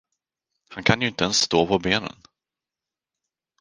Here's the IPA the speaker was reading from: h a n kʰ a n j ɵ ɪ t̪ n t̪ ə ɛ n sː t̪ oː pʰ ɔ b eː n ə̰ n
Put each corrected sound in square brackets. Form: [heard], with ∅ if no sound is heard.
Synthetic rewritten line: h a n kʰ a n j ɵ ɪ [∅] n t̪ ə ɛ n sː t̪ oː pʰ ɔ b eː n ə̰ n